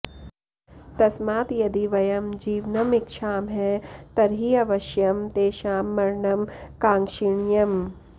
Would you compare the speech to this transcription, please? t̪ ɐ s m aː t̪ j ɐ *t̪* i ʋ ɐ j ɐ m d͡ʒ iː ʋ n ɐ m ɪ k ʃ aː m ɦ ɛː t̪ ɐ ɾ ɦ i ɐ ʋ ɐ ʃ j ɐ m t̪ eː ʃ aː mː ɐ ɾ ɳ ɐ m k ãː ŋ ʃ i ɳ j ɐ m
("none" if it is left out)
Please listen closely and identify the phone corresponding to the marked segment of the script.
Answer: d̪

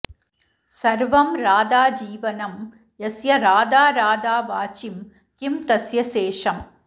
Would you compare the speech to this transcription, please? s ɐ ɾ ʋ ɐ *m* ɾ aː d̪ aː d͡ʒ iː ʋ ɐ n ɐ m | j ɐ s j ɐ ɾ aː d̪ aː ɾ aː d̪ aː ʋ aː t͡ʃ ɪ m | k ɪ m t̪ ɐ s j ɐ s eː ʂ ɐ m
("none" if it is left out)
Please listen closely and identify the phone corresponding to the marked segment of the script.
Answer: m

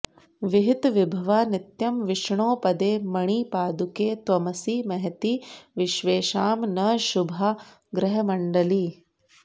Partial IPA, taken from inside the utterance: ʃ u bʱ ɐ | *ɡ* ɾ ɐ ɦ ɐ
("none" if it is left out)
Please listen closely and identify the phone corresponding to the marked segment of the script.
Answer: ɡ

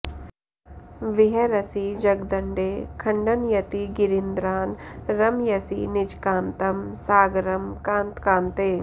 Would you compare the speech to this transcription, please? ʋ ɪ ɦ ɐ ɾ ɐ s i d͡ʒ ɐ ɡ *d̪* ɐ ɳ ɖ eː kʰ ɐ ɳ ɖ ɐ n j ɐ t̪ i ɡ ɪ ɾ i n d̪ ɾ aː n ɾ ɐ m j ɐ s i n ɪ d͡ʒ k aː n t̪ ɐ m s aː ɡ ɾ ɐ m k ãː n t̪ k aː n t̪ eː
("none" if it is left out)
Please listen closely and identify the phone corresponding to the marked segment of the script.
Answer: d̪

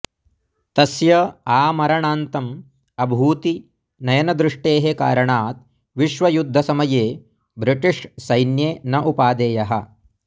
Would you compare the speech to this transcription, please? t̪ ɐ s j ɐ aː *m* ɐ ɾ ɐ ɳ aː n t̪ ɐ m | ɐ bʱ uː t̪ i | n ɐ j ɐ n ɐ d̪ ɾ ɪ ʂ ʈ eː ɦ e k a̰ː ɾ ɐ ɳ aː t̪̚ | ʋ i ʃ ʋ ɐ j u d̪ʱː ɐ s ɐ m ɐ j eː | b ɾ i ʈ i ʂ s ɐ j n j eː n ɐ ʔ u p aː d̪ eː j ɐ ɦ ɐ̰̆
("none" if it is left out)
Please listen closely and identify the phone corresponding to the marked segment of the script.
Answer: m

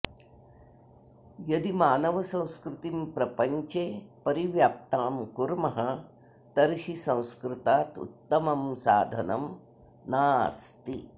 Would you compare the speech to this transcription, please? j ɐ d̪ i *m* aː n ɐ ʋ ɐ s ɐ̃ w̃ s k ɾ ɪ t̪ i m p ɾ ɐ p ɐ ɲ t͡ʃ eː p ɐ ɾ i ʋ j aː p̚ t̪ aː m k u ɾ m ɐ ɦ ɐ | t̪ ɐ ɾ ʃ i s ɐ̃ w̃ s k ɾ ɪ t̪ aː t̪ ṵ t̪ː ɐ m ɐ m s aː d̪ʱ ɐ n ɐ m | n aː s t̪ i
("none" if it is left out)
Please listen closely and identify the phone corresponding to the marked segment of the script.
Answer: m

